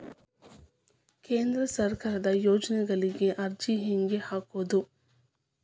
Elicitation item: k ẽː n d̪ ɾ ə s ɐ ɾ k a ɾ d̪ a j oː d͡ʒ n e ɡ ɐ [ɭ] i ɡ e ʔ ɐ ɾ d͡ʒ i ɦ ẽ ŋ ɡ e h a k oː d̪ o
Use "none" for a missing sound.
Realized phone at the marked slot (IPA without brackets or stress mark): l